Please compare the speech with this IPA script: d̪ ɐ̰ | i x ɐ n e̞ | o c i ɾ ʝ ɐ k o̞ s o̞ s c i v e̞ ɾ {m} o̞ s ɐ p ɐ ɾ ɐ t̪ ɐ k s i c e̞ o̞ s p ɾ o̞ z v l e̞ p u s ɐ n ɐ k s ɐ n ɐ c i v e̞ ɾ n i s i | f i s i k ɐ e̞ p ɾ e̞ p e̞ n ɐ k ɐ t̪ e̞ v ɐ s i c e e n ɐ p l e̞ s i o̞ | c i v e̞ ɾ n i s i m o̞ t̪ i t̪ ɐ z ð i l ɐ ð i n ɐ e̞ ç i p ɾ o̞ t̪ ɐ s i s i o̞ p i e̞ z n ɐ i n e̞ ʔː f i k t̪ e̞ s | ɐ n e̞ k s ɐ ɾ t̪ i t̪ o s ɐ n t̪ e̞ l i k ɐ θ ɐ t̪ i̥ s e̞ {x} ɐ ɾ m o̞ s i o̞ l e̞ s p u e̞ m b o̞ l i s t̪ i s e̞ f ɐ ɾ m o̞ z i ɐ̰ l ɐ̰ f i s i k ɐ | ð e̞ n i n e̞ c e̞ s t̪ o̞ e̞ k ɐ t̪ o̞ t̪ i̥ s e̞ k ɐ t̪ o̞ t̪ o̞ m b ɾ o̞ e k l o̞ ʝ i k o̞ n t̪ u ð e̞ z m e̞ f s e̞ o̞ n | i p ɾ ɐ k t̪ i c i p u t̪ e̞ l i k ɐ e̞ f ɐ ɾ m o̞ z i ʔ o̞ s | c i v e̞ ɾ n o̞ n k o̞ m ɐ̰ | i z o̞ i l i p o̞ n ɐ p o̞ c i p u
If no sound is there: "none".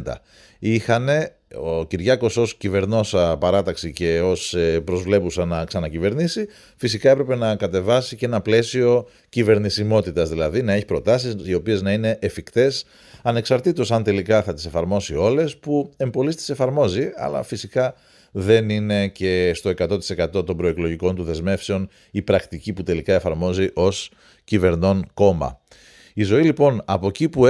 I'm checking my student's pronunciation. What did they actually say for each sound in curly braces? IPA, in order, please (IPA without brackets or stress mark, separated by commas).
n, f